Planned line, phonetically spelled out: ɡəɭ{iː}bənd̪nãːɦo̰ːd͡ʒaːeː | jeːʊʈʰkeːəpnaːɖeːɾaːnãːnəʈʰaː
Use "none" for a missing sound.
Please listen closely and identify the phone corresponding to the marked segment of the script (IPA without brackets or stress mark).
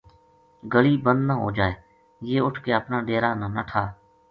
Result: iː